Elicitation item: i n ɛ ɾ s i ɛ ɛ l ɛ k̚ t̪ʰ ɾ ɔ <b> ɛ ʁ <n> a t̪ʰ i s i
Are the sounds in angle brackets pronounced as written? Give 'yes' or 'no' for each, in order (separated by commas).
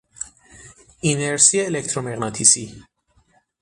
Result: no, yes